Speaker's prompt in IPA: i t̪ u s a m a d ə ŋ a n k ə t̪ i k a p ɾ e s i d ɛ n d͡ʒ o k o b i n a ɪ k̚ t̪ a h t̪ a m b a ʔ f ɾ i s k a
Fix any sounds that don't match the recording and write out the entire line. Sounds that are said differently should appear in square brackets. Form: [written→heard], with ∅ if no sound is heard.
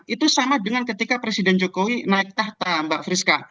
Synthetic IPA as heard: i t̪ u s a m a d ə ŋ a n k ə t̪ i k a p ɾ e s i d ɛ n d͡ʒ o k o [b→w] i n a ɪ k̚ t̪ a h t̪ a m b a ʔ f ɾ i s k a